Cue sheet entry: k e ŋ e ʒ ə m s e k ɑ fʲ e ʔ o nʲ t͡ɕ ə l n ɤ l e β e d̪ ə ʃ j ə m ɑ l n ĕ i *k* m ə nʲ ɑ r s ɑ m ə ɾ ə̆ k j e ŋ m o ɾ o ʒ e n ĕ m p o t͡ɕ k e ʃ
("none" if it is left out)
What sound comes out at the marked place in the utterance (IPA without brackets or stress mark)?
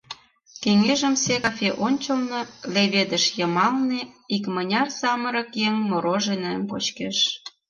k